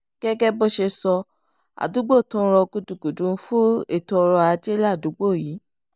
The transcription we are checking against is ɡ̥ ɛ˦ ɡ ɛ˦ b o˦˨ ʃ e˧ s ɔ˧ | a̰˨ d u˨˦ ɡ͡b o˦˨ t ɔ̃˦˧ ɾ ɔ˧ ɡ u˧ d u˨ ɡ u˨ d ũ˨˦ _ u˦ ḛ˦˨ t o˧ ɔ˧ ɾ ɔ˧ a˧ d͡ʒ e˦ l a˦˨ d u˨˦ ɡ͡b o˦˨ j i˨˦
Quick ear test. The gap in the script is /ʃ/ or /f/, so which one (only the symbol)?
f